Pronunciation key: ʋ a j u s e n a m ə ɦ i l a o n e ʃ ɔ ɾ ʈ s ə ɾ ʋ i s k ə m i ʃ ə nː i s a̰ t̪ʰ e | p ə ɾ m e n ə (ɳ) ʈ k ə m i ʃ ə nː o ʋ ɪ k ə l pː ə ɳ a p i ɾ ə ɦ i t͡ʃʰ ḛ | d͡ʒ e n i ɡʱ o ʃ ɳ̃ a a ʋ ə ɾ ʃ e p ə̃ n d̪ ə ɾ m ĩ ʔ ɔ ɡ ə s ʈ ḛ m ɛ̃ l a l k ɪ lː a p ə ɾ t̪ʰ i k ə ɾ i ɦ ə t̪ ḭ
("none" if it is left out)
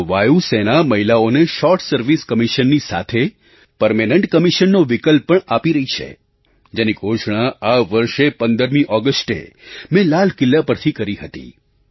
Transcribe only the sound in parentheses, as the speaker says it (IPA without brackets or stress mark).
ɳ